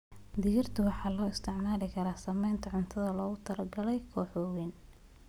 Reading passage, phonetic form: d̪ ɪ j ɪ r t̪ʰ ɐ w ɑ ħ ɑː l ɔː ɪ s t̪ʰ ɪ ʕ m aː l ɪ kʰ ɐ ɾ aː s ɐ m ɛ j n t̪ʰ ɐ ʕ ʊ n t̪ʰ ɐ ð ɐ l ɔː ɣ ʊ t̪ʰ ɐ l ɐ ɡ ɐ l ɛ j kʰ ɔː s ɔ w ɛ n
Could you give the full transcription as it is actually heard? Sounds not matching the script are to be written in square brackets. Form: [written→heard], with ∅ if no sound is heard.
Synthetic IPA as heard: d̪ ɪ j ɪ r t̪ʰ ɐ w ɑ ħ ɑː l ɔː ɪ s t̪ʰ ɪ ʕ m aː l ɪ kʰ ɐ ɾ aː s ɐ m ɛ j n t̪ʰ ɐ ʕ ʊ n t̪ʰ ɐ ð ɐ l ɔː ɣ ʊ t̪ʰ ɐ l ɐ ɡ ɐ l ɛ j kʰ ɔː [s→ħ] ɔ w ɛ n